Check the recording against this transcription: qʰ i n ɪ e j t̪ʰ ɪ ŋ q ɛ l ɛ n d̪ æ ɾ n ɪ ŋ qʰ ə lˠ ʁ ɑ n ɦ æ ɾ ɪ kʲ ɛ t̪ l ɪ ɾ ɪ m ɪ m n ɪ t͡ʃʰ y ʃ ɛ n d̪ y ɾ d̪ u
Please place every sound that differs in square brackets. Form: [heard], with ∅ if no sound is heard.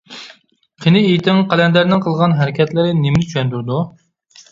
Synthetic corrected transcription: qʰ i n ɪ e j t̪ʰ ɪ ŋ q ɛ l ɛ n d̪ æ ɾ n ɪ ŋ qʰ ə lˠ ʁ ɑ n ɦ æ ɾ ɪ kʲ ɛ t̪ l ɪ ɾ ɪ [n] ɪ m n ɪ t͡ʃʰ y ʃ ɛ n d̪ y ɾ d̪ u